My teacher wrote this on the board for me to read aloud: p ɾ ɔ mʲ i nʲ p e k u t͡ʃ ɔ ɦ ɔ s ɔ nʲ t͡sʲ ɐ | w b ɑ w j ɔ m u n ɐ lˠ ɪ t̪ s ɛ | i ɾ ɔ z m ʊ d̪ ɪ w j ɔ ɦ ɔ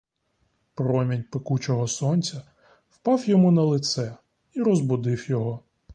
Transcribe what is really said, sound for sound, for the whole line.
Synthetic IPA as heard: p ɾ ɔ mʲ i nʲ p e k u t͡ʃ ɔ ɦ ɔ s ɔ nʲ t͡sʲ ɐ | w p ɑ w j ɔ m u n ɐ lˠ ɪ t̪ s ɛ | i ɾ ɔ z b ʊ d̪ ɪ w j ɔ ɦ ɔ

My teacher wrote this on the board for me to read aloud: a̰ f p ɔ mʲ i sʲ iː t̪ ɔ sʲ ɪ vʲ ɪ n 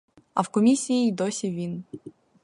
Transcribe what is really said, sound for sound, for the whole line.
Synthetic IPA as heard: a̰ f k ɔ mʲ i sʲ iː d̪ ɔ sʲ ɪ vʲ i n

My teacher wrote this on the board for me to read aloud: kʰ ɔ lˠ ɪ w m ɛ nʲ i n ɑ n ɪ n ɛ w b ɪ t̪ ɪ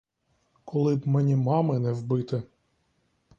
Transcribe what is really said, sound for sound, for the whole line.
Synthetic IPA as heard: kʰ ɔ lˠ ɪ b m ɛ nʲ i m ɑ m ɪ n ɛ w b ɪ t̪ ɪ

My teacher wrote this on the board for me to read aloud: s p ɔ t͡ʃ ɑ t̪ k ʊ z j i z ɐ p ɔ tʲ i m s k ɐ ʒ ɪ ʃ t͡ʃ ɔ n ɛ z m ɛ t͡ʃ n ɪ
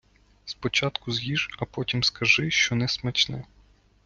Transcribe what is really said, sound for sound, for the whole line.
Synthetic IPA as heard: s p ɔ t͡ʃ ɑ t̪ k ʊ z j i ʒ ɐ p ɔ tʲ i m s k ɐ ʒ ɪ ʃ t͡ʃ ɔ n ɛ s m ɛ t͡ʃ n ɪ

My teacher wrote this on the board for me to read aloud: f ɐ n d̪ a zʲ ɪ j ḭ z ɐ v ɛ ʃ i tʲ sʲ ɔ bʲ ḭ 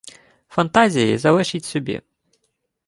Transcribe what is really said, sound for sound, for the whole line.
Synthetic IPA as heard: f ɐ n t̪ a zʲ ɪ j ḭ z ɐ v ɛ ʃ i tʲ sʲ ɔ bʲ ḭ

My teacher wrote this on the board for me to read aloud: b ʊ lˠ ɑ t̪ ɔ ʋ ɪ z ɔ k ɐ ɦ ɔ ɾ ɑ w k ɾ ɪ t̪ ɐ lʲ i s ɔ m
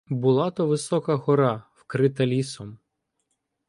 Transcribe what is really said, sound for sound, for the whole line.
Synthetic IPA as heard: b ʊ lˠ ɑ t̪ ɔ ʋ ɪ s ɔ k ɐ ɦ ɔ ɾ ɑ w k ɾ ɪ t̪ ɐ lʲ i s ɔ m

